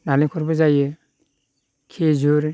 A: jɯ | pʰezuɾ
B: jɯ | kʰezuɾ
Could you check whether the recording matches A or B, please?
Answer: B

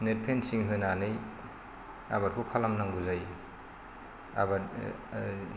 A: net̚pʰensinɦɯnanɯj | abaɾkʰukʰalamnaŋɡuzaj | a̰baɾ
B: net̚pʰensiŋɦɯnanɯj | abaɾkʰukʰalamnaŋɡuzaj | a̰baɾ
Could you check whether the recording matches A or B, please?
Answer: B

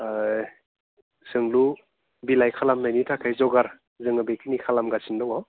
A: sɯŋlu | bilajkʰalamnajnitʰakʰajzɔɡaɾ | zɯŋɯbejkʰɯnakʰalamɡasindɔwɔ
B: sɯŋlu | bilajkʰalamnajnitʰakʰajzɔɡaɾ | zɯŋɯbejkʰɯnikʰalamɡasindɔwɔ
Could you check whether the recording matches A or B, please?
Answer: B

